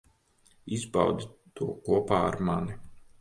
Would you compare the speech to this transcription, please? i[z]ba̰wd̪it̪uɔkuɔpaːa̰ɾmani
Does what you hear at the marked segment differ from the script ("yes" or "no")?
no